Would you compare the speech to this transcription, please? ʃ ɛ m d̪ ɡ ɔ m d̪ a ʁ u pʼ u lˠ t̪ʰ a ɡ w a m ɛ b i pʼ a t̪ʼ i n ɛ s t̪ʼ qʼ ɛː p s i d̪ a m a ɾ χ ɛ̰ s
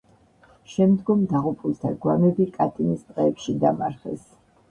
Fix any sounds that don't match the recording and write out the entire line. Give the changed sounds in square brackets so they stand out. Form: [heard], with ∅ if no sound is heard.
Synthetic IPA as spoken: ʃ ɛ m d̪ ɡ ɔ m d̪ a ʁ u pʼ u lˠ t̪ʰ a ɡ w a m ɛ b i [kʼ] a t̪ʼ i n [i] s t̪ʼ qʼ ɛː p [ʃ] i d̪ a m a ɾ χ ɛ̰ s